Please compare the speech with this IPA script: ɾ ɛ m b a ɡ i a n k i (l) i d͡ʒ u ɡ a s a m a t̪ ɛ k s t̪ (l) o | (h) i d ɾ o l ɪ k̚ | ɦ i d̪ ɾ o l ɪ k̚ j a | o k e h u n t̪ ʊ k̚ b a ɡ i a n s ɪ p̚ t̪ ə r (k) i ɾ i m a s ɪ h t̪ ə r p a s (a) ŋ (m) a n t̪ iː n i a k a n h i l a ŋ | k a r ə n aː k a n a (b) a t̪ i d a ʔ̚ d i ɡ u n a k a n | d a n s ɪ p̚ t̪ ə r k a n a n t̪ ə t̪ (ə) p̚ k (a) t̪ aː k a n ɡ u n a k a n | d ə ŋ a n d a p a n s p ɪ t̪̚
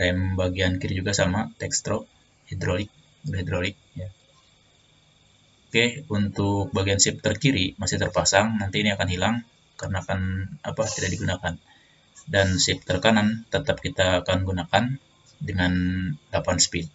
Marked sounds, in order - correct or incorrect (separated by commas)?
incorrect, incorrect, correct, correct, correct, incorrect, incorrect, incorrect, incorrect